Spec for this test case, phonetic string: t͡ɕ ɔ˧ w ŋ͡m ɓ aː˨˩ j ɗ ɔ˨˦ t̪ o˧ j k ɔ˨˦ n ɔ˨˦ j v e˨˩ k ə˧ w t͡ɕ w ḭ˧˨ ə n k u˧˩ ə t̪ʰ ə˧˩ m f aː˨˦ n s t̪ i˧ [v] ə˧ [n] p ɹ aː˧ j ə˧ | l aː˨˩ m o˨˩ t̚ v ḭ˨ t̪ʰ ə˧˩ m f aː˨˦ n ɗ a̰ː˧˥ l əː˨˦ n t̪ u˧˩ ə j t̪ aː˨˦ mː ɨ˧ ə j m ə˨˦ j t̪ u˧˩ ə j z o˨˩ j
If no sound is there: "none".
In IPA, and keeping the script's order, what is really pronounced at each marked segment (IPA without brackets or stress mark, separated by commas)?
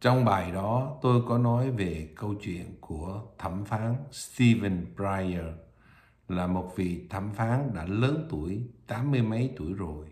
v, n